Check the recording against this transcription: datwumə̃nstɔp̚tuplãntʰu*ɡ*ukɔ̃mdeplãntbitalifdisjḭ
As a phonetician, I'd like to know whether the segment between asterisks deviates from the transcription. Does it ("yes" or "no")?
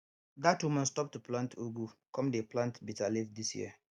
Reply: no